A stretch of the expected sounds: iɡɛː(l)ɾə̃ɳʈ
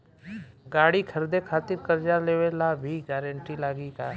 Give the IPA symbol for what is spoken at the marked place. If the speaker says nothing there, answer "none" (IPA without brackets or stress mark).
none